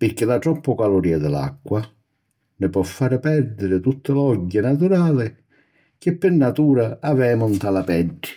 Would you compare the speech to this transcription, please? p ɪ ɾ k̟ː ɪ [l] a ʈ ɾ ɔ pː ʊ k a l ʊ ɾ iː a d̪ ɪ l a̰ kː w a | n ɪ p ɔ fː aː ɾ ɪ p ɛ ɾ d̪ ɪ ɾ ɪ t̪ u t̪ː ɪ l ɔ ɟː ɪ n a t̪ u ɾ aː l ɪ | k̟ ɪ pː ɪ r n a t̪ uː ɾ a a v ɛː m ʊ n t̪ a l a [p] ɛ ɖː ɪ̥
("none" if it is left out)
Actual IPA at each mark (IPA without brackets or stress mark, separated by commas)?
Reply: l, p